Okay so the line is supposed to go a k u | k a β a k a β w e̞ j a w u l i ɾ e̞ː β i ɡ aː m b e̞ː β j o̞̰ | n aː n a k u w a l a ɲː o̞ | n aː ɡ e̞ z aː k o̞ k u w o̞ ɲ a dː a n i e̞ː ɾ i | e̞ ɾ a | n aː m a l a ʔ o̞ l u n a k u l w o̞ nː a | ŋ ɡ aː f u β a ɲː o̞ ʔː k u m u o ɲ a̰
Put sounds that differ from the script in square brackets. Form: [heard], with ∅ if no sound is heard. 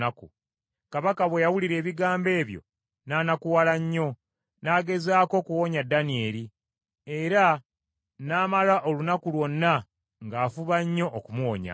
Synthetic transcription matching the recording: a k u | k a β a k a β w e̞ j a w u l i ɾ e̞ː β i ɡ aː m b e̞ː β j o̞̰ | n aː n a k u w a l a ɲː o̞ | n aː ɡ e̞ z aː k o̞ k u w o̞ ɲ a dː a n i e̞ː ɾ i | e̞ ɾ a | n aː m a l a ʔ o̞ l u n a k u l w o̞ nː a | ŋ ɡ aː f u β a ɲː o̞ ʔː k u m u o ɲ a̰

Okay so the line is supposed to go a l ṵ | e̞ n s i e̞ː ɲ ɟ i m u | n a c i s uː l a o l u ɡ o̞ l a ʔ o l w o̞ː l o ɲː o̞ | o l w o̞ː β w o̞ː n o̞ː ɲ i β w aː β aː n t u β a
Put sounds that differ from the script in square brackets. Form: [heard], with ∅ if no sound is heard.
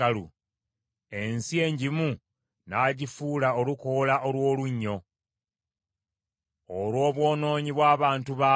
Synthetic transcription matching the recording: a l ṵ | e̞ n s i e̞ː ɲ ɟ i m u | n a [ɟ] i [f] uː l a o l u [k] o̞ l a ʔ o l w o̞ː l [u] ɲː o̞ | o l w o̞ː β w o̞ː n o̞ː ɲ i β w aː β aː n t u β a

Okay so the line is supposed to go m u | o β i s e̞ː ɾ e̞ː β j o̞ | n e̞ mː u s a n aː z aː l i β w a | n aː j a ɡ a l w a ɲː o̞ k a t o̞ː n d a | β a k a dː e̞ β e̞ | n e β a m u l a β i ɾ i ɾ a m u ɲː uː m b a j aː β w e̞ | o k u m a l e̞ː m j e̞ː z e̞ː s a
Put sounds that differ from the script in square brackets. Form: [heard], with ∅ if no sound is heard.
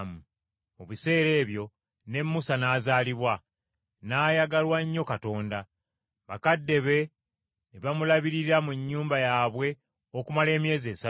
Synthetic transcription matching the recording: m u | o β i s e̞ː ɾ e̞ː β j o̞ | n e̞ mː u s a n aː z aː l i β w a | n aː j a ɡ a l w a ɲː o̞ k a t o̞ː n d a | β a k a dː e̞ β e̞ | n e β a m u l a β i ɾ i ɾ a m u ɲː uː m b a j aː β w e̞ | o k u m a l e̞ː m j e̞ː z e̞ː s a

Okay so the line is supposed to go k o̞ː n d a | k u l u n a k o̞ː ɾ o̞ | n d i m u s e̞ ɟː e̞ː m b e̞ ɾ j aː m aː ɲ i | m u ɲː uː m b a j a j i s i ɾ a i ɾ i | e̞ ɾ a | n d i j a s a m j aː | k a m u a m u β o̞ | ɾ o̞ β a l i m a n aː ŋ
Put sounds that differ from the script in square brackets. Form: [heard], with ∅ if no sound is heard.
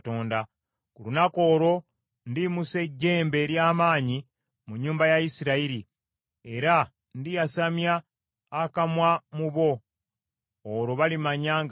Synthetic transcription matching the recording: [t] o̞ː n d a | k u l u n a k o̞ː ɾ o̞ | n d i m u s e̞ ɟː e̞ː m b e̞ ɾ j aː m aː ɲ i | m u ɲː uː m b a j a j i s i ɾ a i ɾ i | e̞ ɾ a | n d i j a s a m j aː | k a m [w] a m u β o̞ | ɾ o̞ β a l i m a [ɲ] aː ŋ

